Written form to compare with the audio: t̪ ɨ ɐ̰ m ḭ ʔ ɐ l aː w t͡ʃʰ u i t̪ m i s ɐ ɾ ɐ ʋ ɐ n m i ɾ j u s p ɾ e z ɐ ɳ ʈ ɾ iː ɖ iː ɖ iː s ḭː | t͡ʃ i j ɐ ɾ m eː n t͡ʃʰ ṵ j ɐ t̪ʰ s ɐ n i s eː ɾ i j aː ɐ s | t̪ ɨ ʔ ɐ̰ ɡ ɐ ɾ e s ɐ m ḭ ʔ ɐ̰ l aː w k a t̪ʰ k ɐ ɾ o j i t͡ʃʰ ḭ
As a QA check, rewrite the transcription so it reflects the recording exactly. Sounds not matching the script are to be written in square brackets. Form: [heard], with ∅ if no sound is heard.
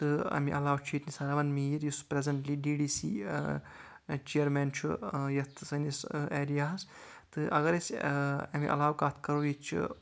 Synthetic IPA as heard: t̪ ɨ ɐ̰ m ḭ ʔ ɐ l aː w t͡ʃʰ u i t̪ [n] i s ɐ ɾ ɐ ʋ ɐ n m i ɾ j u s p ɾ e z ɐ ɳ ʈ [l] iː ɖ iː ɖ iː s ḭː | t͡ʃ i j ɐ ɾ m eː n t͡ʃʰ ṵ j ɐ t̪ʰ s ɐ n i s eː ɾ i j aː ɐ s | t̪ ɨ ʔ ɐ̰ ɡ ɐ ɾ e s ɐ m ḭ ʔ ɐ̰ l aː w k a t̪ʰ k ɐ ɾ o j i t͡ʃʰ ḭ